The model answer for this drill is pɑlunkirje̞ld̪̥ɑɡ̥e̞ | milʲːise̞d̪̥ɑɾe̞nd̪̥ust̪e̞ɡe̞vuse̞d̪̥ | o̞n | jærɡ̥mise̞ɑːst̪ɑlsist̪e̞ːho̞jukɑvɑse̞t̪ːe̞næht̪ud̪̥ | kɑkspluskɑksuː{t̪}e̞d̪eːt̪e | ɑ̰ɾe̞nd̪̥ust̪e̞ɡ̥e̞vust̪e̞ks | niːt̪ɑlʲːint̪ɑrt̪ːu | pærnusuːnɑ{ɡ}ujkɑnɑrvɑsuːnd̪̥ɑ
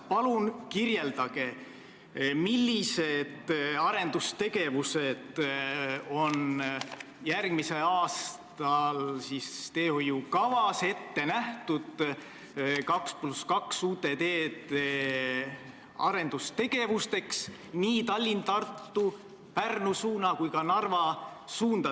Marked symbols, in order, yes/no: yes, no

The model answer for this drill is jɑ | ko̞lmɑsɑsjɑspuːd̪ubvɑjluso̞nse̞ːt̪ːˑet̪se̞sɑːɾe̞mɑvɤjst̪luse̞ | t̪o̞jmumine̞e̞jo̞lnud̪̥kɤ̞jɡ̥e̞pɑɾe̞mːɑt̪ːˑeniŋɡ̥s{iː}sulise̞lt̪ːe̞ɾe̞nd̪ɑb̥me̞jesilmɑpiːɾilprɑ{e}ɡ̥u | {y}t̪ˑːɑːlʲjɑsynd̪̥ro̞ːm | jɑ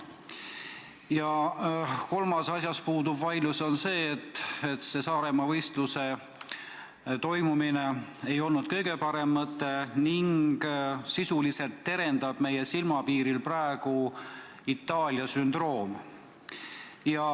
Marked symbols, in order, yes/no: no, yes, no

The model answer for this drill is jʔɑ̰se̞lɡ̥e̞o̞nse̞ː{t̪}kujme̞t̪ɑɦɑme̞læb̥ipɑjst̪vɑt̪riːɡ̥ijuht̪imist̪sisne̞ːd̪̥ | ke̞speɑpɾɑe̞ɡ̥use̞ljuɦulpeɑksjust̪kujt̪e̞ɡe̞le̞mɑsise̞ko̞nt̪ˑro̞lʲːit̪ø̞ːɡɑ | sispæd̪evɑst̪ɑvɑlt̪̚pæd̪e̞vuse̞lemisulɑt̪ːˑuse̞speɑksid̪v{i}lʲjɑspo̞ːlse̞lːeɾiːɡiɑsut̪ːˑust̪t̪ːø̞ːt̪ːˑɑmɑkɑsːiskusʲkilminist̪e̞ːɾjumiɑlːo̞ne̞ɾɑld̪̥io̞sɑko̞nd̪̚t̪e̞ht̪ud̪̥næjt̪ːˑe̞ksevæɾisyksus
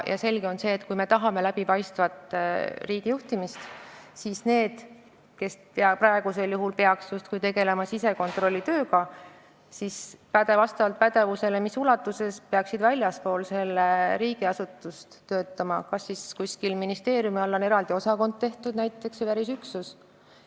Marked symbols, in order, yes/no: yes, no

